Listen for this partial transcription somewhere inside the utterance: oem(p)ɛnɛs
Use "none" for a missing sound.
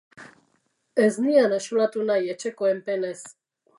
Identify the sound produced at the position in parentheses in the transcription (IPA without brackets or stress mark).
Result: p